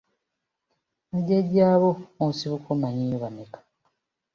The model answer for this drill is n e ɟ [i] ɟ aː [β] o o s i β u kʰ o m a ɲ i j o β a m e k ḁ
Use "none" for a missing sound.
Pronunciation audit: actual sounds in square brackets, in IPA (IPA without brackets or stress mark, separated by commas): e, β